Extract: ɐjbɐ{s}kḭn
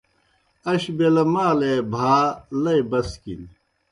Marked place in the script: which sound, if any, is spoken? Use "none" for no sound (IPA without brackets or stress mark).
s